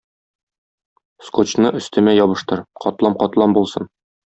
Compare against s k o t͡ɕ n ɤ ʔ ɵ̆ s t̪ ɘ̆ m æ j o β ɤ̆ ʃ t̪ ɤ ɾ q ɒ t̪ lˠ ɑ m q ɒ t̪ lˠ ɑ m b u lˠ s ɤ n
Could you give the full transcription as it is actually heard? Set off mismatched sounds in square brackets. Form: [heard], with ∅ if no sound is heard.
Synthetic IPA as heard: s k o t͡ɕ n ɤ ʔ ɵ̆ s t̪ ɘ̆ m æ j [ɒ] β ɤ̆ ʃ t̪ ɤ ɾ q ɒ t̪ lˠ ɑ m q ɒ t̪ lˠ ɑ m b u lˠ s ɤ n